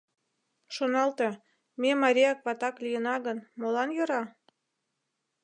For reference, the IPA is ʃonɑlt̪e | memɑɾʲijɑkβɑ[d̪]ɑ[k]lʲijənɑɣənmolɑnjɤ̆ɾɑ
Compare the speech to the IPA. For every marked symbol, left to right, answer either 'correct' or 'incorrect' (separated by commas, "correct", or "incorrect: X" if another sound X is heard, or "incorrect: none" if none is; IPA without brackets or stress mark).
incorrect: t̪, correct